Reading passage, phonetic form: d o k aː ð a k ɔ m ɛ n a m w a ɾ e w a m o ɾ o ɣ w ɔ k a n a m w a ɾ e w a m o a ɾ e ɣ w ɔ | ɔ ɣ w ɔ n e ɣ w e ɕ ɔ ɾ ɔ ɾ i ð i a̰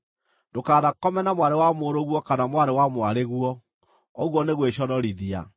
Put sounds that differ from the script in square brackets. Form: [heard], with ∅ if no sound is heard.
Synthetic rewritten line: d o k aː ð a k ɔ m ɛ n a m w a ɾ e w a m o ɾ o ɣ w ɔ k a n a m w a ɾ e w a m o a ɾ e ɣ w ɔ | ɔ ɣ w ɔ n e ɣ w e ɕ ɔ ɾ ɔ ɾ i ð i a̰

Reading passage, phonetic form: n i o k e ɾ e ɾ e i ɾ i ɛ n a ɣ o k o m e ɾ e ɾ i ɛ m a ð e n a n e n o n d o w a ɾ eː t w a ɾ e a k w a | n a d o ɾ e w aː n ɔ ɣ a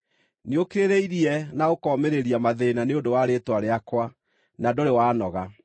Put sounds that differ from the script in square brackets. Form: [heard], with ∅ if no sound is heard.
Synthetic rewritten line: n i o k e ɾ e ɾ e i ɾ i ɛ n a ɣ o k [ɔ] m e ɾ e ɾ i [a] m a ð e n a n e [∅] o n d o w a ɾ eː t w a ɾ e a k w a | n a d o ɾ e w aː n ɔ ɣ a

